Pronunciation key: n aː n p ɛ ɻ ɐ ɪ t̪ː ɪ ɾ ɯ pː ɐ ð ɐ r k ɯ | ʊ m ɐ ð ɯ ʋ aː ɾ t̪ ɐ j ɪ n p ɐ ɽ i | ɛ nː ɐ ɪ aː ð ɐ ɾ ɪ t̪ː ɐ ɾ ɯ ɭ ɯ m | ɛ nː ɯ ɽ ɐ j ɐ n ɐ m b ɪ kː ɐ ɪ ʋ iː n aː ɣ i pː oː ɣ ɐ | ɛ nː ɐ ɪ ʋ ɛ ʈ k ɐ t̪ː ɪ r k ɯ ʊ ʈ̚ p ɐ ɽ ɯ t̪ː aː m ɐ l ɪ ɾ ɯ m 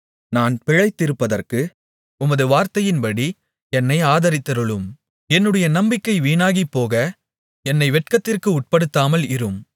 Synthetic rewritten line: n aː n p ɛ ɻ ɐ ɪ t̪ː ɪ ɾ ɯ pː ɐ ð ɐ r k ɯ | ʊ m ɐ ð ɯ ʋ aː ɾ t̪ ɐ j ɪ n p ɐ ɽ i | ɛ nː ɐ ɪ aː ð ɐ ɾ ɪ t̪ː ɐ ɾ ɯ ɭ ɯ m | ɛ nː ɯ ɽ ɐ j ɐ n ɐ m b ɪ kː ɐ ɪ ʋ iː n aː ɣ i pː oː ɣ ɐ | ɛ nː ɐ ɪ ʋ ɛ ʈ k ɐ t̪ː ɪ r k ɯ ʊ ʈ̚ p ɐ ɽ ɯ t̪ː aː m ɐ l ɪ ɾ ɯ m